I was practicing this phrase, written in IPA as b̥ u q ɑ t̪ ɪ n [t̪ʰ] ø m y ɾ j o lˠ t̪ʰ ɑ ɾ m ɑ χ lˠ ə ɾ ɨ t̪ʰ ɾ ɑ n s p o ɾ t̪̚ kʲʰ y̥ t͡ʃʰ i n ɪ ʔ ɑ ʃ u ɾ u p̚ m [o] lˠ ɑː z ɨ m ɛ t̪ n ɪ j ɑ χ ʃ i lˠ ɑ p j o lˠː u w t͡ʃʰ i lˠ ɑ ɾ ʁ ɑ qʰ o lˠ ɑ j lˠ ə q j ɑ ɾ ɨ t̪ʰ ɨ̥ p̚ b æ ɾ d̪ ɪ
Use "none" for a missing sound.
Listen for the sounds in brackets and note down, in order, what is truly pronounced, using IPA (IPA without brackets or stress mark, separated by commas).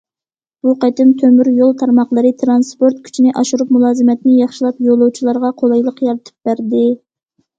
t̪ʰ, u